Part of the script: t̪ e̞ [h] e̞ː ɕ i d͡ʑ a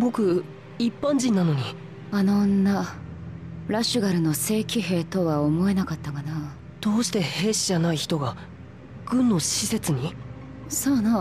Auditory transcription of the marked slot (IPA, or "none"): h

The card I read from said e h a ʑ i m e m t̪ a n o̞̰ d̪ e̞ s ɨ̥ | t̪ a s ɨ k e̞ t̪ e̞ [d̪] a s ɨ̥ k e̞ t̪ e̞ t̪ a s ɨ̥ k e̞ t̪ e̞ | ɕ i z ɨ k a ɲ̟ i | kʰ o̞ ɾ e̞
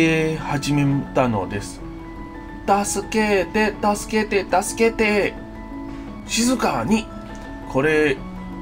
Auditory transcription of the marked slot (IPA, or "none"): t̪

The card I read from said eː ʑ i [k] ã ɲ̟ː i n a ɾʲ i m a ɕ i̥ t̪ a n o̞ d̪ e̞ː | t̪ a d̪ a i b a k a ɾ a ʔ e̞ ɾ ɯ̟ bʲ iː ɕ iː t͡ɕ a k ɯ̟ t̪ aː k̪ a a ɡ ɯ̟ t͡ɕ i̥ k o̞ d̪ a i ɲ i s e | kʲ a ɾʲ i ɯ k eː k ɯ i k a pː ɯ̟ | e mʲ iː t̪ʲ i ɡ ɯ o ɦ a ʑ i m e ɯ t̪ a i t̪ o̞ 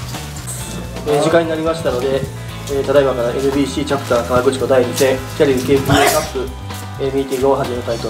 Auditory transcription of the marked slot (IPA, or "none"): k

